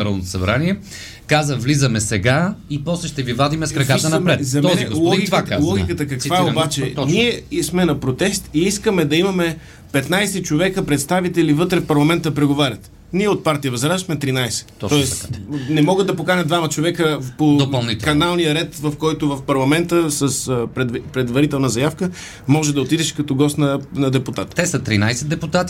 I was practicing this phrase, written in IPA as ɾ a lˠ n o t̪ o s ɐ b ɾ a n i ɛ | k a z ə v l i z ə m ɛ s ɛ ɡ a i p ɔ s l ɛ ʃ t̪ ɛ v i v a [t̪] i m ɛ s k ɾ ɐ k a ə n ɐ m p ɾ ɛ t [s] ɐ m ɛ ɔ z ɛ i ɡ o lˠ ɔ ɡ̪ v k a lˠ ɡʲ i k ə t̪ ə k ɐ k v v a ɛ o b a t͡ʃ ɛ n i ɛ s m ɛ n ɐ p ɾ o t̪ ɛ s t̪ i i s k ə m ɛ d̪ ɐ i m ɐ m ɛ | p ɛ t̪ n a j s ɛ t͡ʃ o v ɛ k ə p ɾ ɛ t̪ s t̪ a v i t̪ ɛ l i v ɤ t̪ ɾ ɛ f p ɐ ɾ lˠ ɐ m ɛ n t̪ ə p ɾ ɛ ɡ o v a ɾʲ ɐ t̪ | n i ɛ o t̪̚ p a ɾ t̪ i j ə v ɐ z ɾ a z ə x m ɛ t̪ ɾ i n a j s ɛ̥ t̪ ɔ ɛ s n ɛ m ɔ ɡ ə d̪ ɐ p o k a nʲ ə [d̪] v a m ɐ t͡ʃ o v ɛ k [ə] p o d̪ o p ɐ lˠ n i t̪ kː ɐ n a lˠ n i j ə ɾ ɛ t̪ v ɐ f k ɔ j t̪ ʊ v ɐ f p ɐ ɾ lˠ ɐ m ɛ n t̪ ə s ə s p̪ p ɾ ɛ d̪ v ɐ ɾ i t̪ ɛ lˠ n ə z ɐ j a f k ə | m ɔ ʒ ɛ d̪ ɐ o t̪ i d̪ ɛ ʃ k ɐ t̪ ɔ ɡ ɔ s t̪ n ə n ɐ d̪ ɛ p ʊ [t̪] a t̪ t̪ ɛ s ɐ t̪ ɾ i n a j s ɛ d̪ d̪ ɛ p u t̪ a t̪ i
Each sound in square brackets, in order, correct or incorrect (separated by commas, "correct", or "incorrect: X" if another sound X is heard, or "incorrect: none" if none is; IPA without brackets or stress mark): incorrect: d̪, incorrect: z, correct, correct, correct